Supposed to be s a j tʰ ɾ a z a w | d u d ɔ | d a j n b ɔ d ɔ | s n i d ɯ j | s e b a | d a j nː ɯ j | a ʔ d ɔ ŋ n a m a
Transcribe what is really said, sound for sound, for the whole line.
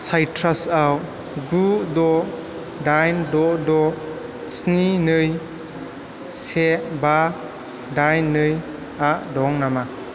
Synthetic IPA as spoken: s a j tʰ ɾ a s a w | ɡ u d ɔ | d a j n d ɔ d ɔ | s n i n ɯ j | s e b a | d a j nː ɯ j | a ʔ d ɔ ŋ n a m a